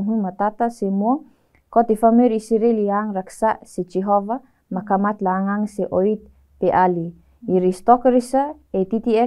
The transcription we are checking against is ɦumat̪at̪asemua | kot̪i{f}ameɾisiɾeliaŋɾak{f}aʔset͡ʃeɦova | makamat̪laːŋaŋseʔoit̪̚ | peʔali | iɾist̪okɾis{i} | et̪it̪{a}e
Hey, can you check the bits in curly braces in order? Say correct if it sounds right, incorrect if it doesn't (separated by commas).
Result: correct, incorrect, incorrect, incorrect